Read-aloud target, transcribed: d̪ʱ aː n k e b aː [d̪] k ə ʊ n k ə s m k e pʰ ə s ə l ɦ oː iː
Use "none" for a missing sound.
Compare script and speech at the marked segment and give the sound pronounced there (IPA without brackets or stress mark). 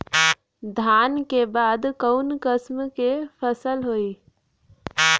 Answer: d̪